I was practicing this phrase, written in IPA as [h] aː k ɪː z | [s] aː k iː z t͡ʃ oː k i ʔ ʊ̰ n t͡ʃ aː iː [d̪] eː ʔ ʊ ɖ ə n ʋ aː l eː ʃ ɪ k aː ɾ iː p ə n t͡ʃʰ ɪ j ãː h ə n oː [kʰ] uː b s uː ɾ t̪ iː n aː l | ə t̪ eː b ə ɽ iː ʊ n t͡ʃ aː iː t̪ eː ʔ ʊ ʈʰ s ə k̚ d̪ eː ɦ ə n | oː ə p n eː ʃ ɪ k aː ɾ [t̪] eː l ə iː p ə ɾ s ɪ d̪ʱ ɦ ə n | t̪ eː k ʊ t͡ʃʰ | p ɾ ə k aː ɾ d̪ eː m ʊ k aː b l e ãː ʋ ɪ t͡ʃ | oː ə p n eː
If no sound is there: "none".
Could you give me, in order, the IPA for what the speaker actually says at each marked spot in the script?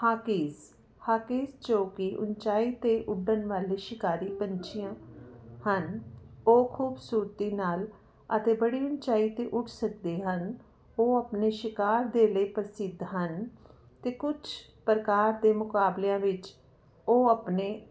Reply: h, h, t̪, kʰ, d̪

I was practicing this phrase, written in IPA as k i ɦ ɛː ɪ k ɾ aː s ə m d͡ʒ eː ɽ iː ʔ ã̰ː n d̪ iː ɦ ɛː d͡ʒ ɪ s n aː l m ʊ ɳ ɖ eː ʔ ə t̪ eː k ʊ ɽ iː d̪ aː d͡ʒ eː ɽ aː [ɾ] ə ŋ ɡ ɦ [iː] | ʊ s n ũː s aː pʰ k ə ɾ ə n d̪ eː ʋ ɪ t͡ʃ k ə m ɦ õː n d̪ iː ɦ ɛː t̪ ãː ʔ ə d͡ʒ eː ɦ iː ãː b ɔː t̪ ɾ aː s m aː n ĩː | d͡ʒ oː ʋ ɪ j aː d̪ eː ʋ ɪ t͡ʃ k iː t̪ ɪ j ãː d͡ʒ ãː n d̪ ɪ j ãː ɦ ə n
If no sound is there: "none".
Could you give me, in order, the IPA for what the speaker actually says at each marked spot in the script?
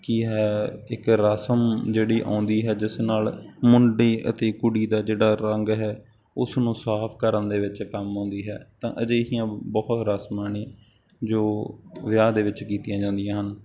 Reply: ɾ, ɛː

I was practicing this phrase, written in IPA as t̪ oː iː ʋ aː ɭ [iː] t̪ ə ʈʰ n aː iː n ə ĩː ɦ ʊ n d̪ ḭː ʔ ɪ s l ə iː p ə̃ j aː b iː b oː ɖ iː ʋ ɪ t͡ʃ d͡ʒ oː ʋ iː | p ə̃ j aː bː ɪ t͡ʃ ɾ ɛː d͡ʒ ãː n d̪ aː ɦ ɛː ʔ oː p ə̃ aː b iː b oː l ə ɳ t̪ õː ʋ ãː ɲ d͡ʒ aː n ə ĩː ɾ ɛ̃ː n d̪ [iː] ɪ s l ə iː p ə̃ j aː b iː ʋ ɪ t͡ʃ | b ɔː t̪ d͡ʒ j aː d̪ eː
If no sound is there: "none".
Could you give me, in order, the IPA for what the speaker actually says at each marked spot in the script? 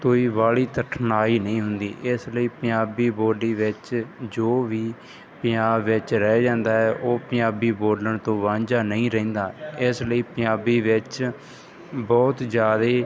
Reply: iː, aː

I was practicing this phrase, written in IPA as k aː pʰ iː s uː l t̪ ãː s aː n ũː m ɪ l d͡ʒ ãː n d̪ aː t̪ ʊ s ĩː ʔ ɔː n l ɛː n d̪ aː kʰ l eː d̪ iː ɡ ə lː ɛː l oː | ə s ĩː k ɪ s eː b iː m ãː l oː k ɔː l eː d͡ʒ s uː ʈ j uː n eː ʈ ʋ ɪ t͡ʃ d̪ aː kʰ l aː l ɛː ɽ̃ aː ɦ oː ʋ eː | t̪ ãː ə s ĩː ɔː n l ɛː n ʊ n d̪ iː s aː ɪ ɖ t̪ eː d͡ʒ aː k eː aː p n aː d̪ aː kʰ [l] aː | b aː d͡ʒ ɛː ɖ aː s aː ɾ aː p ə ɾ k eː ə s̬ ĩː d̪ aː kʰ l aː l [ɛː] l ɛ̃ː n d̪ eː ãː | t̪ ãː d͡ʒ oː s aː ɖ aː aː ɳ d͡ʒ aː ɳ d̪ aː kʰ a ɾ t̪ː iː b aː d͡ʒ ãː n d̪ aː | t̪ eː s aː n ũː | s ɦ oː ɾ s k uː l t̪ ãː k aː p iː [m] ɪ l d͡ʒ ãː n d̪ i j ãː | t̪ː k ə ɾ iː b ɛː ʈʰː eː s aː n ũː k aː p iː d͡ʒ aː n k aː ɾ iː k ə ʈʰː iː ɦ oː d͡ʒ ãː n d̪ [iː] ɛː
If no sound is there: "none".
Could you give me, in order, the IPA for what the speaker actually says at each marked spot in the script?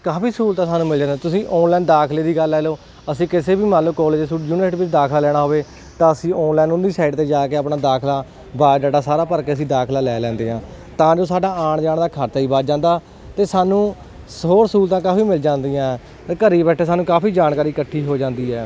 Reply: l, ɛː, m, iː

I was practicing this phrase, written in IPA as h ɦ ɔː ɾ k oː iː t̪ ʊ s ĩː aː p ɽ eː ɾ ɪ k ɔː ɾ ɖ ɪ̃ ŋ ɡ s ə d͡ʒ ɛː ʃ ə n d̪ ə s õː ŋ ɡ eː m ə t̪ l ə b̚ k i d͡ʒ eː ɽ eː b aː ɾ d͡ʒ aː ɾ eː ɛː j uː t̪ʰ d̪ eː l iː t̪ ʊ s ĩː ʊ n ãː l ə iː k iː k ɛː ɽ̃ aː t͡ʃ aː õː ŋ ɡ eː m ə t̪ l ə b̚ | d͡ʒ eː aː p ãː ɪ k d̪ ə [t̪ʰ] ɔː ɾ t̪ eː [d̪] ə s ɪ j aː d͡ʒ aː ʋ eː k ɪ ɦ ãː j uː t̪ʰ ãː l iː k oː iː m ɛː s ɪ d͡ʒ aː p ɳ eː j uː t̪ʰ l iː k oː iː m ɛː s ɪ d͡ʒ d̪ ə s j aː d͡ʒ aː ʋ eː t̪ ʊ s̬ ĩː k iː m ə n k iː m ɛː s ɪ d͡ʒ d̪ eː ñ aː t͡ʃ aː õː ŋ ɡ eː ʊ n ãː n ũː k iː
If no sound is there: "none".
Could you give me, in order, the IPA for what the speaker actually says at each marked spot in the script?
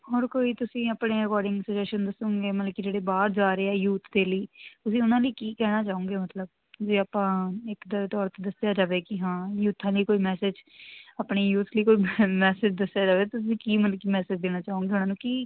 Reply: t̪, d̪

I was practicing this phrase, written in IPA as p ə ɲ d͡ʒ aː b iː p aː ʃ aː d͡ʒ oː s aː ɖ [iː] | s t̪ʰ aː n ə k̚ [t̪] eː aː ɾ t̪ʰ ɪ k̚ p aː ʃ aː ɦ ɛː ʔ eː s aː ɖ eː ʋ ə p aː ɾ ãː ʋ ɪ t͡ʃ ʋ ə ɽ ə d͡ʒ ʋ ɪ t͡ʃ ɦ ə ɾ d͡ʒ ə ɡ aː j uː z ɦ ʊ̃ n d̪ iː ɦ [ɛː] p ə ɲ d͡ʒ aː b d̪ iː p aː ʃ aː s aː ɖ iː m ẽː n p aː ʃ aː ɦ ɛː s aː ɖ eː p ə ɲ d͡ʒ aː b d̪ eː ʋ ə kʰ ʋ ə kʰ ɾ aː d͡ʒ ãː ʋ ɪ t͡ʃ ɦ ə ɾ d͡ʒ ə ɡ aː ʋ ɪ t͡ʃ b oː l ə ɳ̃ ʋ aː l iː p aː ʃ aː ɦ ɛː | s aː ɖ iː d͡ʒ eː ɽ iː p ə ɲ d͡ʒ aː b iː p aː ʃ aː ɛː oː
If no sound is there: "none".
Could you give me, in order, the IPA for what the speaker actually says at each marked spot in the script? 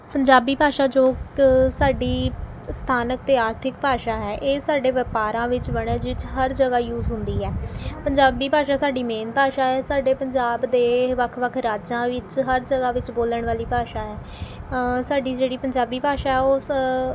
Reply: iː, t̪, ɛː

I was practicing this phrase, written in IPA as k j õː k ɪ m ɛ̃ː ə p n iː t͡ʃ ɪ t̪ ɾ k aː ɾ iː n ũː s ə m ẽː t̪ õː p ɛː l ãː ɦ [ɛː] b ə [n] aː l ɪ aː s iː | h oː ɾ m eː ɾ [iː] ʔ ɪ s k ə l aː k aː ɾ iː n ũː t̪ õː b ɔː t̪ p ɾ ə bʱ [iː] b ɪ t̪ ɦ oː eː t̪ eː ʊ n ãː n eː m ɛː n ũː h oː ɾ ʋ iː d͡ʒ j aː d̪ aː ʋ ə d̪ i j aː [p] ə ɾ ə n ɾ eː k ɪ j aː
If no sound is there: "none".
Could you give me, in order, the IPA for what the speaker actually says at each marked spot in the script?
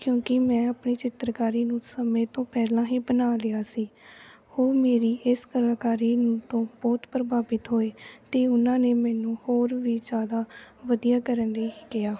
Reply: iː, n, iː, aː, k

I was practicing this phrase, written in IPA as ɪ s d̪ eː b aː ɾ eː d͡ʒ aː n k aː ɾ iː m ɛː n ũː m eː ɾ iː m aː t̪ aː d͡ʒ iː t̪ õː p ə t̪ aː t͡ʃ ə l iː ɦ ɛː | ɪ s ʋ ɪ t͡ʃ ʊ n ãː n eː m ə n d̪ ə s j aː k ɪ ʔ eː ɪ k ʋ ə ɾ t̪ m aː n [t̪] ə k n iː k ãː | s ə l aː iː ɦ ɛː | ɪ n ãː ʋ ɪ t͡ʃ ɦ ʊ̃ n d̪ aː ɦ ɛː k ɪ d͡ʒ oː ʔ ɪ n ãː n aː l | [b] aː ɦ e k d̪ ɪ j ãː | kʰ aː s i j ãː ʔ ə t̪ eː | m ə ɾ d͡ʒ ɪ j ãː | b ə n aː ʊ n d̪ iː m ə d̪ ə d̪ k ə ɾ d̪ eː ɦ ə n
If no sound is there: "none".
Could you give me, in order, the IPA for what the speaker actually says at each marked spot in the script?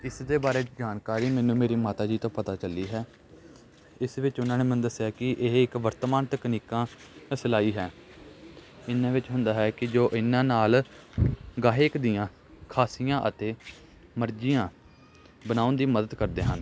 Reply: t̪, ɡ

